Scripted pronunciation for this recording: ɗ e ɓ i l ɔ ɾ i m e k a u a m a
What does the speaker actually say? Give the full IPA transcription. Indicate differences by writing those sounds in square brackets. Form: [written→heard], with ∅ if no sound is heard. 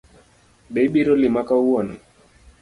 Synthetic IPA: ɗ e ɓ i [l→ɾ] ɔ [ɾ→l] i m [e→a] k a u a [m→n] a